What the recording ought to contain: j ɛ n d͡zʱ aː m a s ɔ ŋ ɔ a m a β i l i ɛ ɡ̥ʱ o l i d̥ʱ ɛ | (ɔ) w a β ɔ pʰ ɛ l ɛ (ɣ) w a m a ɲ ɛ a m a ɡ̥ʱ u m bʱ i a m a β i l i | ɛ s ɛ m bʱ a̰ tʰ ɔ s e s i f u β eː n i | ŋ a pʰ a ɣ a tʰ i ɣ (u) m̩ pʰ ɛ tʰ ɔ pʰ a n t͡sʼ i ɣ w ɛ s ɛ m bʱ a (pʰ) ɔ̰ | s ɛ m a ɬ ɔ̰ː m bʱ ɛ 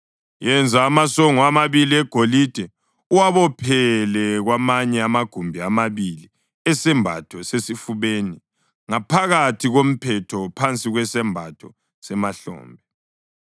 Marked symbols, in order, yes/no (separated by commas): no, yes, no, no